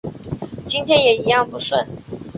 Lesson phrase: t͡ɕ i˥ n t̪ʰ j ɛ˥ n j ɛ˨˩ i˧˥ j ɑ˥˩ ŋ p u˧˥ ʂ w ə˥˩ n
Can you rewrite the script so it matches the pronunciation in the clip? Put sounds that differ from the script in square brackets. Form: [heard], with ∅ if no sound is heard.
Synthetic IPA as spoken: t͡ɕ i˥ n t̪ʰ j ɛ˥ n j ɛ˨˩ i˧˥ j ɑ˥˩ ŋ p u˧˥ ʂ w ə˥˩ n